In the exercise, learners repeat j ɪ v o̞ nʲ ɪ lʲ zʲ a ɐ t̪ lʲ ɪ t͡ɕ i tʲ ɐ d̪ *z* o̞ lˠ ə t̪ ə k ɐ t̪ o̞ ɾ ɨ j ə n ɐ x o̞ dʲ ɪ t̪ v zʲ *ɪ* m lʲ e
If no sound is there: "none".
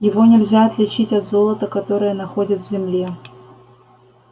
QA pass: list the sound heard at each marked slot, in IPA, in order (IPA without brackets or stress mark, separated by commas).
z, ɪ